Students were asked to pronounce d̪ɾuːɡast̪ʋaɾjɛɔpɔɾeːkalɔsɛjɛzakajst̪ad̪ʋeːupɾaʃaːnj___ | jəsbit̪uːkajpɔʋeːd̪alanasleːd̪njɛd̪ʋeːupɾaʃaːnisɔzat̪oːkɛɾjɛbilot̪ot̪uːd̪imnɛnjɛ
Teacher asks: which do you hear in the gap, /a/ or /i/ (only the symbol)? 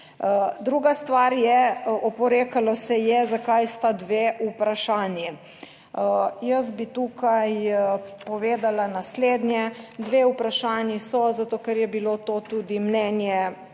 i